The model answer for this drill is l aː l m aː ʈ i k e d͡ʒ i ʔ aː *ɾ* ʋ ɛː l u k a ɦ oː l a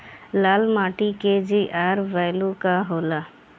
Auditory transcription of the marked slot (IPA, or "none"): ɾ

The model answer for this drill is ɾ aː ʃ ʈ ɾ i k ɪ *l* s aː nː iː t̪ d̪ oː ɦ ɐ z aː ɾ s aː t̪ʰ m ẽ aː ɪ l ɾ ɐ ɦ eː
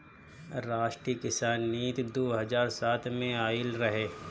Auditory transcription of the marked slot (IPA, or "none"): none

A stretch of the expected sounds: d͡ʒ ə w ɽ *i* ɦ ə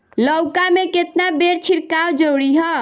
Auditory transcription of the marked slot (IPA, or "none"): i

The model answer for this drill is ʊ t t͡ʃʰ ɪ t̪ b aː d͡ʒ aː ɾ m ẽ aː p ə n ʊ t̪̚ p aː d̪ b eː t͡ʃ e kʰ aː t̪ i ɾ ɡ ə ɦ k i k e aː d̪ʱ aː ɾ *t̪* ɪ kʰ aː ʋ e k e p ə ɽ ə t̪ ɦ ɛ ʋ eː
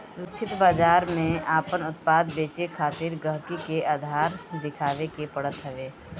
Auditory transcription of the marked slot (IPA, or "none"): d̪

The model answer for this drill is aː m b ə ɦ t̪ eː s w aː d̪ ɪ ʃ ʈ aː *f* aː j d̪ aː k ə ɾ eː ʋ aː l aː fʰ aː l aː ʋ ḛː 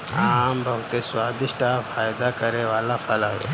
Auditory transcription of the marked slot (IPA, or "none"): f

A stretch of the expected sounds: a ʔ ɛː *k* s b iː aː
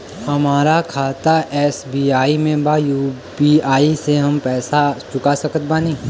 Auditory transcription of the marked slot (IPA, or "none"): none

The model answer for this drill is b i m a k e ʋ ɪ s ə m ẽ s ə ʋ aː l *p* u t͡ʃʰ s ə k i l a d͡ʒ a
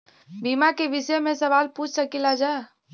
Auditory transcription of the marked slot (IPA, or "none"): p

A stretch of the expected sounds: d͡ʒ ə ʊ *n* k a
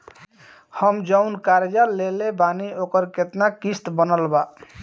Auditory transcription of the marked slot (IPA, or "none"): n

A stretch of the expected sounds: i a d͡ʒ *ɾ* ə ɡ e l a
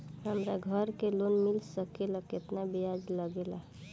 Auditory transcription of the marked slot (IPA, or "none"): l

